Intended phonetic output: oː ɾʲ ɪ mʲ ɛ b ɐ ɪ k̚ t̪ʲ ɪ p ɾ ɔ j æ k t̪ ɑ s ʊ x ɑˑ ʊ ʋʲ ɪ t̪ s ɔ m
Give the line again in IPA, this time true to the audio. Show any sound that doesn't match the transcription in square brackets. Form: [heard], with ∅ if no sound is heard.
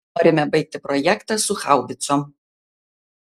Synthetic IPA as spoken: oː ɾʲ ɪ mʲ ɛ b ɐ ɪ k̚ t̪ʲ ɪ p ɾ ɔ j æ k t̪ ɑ s ʊ x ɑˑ ʊ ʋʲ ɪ t̪ s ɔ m